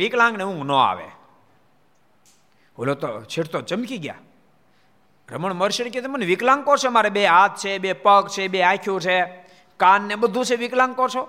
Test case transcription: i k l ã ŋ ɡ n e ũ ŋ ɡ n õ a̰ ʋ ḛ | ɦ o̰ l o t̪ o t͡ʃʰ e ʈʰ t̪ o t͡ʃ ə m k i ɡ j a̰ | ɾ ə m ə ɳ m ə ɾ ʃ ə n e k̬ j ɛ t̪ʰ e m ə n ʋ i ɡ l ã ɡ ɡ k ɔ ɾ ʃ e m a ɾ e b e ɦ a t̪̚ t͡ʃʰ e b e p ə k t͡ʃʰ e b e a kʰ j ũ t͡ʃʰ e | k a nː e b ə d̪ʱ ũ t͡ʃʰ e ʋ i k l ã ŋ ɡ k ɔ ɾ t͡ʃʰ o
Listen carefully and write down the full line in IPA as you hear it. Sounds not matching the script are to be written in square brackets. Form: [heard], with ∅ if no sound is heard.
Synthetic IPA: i k l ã ŋ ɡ n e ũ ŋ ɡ n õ a̰ ʋ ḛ | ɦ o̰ l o t̪ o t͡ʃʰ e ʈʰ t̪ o t͡ʃ ə m k i ɡ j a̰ | ɾ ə m ə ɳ m ə ɾ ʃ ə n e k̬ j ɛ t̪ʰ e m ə n ʋ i [k] l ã [ŋ] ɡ k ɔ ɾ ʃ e m a ɾ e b e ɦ a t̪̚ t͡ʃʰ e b e p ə k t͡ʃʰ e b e a kʰ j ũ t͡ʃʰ e | k a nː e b ə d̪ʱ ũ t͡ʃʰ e ʋ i k l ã ŋ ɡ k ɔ ɾ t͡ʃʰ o